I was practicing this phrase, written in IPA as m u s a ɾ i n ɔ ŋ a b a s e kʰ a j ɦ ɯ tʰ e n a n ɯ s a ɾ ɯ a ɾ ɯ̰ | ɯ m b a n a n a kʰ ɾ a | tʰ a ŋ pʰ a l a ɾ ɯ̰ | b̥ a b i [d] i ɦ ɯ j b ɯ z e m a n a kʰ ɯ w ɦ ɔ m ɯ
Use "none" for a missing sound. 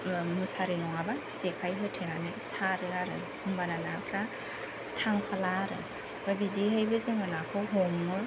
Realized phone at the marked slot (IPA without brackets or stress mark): d